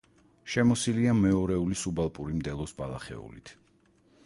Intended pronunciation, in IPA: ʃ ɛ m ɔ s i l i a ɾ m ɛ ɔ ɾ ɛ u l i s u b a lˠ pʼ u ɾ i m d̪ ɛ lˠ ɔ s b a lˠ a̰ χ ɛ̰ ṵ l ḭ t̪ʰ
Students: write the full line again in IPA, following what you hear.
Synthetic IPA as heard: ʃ ɛ m ɔ s i l i a m ɛ ɔ ɾ ɛ u l i s u b a lˠ pʼ u ɾ i m d̪ ɛ lˠ ɔ s b a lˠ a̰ χ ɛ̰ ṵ l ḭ t̪ʰ